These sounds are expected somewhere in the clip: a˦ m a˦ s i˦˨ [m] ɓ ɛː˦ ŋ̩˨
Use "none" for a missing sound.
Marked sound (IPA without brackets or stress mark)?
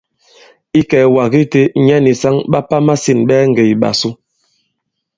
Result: n